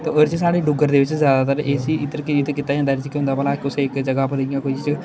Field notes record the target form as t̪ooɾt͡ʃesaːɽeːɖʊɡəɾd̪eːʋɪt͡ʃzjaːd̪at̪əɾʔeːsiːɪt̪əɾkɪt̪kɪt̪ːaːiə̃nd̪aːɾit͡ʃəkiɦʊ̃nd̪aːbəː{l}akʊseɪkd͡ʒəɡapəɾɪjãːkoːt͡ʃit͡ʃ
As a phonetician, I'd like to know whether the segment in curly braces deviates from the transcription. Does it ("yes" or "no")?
no